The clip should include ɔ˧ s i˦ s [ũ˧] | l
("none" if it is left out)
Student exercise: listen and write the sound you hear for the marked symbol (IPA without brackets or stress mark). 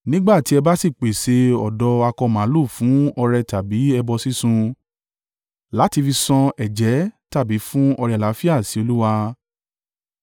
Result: ũ˧